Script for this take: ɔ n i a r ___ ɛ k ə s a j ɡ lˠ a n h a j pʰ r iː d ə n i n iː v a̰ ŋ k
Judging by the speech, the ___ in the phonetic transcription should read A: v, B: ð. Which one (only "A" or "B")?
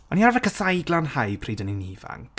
A